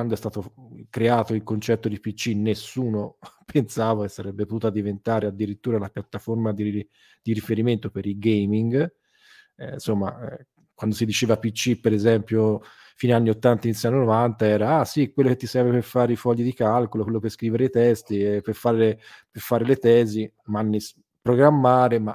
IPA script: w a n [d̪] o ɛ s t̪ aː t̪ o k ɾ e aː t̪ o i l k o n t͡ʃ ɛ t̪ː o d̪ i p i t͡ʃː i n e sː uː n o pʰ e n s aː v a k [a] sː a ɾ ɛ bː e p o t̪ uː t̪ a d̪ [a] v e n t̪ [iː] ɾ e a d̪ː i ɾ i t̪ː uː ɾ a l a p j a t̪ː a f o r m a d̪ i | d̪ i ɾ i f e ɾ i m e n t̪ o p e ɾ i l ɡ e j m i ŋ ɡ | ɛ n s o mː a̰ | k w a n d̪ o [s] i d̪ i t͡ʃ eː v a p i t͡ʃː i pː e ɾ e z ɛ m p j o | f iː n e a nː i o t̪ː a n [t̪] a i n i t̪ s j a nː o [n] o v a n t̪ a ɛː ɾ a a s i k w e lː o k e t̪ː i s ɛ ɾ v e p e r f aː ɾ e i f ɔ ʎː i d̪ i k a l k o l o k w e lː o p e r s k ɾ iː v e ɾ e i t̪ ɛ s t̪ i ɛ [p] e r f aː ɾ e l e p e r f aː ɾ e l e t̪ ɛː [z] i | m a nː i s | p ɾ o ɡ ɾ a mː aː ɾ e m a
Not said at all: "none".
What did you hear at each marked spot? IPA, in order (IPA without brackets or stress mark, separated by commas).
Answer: d̪, e, i, aː, s, t̪, n, p, z